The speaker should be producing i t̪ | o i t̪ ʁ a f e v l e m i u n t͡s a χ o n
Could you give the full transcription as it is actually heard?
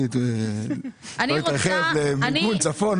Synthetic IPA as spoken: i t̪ | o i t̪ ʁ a χ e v l e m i u n t͡s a f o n